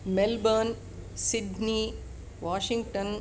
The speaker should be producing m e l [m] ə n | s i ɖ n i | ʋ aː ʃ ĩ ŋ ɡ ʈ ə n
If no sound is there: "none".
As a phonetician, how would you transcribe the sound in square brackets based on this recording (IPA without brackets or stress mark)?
b